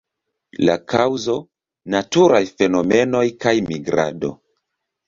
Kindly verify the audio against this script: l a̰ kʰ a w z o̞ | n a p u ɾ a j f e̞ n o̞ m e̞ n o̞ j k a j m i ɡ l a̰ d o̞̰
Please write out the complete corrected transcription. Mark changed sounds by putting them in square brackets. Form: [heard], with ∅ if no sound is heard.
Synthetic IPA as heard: l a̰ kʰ a w z o̞ | n a [t] u ɾ a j f e̞ n o̞ m e̞ n o̞ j k a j m i ɡ [ɾ] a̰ d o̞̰